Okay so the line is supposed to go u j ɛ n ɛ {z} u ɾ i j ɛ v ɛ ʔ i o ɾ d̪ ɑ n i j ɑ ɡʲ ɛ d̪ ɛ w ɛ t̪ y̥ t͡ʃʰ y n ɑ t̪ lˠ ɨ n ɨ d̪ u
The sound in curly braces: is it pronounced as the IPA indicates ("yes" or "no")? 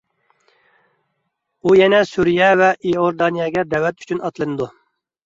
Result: no